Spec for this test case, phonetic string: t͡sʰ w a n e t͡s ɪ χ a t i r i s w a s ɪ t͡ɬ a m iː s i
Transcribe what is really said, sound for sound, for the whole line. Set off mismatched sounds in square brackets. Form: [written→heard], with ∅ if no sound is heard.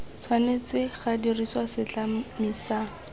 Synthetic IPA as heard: t͡sʰ w a n e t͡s ɪ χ a [t→d] i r i s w a s ɪ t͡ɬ a m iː s [i→a]